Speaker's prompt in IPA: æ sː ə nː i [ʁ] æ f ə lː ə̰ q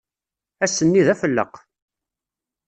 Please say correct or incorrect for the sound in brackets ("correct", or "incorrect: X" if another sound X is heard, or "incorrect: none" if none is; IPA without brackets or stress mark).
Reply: incorrect: ð